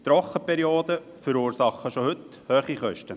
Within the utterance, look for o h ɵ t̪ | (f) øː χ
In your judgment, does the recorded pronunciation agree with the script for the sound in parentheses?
no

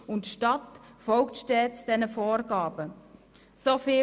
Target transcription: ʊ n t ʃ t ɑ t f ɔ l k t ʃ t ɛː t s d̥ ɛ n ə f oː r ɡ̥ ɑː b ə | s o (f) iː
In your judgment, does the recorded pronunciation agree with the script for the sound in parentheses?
yes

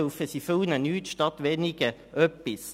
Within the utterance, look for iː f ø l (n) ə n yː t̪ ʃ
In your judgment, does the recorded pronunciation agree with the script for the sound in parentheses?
yes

